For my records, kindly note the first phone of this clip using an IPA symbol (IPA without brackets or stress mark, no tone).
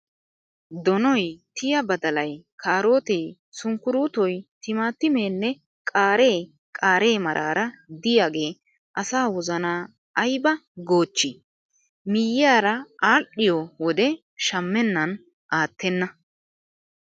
d̪